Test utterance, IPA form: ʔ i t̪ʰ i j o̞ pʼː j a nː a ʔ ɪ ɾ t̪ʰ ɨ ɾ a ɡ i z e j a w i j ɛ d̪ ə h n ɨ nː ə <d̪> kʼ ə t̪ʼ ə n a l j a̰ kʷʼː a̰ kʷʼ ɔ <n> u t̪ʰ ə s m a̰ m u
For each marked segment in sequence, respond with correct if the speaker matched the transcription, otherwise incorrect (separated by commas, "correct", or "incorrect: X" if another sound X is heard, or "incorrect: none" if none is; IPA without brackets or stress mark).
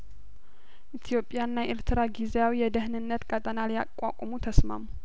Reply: incorrect: t̪, incorrect: m